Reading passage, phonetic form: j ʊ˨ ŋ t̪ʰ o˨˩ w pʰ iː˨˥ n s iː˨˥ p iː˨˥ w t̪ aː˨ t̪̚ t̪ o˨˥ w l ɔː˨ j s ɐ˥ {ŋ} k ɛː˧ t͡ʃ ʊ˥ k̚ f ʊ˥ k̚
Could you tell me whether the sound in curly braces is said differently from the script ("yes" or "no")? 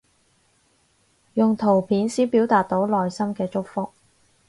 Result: yes